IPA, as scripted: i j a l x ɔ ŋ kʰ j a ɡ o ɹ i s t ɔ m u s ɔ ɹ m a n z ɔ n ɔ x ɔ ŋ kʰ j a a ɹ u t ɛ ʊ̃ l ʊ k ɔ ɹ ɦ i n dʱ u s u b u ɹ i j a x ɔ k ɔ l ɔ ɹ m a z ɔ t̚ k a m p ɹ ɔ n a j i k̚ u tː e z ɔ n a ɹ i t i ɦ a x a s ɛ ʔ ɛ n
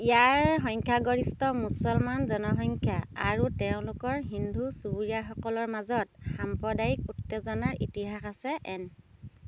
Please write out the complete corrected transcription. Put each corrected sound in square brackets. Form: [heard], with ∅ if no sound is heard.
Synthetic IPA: i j a [ɹ] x ɔ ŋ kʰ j a ɡ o ɹ i s t ɔ m u s ɔ [l] m a n z ɔ n ɔ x ɔ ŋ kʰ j a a ɹ u t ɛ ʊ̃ l ʊ k ɔ ɹ ɦ i n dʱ u s u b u ɹ i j a x ɔ k ɔ l ɔ ɹ m a z ɔ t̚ [x] a m p ɹ ɔ [d] a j i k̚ u tː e z ɔ n a ɹ i t i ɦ a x a s ɛ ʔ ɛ n

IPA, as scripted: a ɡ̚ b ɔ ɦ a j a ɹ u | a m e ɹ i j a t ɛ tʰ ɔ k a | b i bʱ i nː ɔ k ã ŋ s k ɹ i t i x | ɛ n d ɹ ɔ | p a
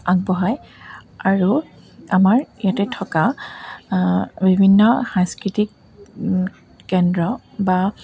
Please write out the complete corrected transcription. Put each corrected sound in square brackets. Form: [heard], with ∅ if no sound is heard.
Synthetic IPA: a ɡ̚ b ɔ ɦ a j a ɹ u | a m [a] ɹ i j a t ɛ tʰ ɔ k a | b i bʱ i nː ɔ [x] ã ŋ s k ɹ i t i [k] | ɛ n d ɹ ɔ | [b] a

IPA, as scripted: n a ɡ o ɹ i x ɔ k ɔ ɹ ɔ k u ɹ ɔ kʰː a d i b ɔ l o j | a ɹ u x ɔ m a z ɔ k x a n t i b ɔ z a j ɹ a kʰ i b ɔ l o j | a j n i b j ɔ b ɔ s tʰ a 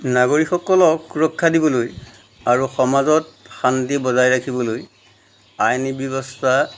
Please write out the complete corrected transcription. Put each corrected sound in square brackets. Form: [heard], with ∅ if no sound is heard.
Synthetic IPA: n a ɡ o ɹ i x ɔ k ɔ [l] ɔ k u ɹ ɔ kʰː a d i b ɔ l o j | a ɹ u x ɔ m a z ɔ [t] x a n t i b ɔ z a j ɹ a kʰ i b ɔ l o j | a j n i b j ɔ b ɔ s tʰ a

